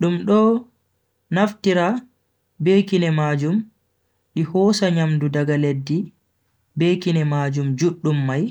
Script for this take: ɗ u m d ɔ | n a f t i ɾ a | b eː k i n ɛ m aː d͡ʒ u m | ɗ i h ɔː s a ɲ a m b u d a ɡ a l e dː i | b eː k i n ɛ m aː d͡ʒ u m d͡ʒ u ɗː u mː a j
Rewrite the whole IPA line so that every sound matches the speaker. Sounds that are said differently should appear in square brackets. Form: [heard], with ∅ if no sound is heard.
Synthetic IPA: ɗ u m [ɗ] ɔ | n a f t i ɾ a | b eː k i n ɛ m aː d͡ʒ u m | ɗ i h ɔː s a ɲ a m [d] u d a ɡ a l e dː i | b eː k i n ɛ m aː d͡ʒ u m d͡ʒ u ɗː u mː a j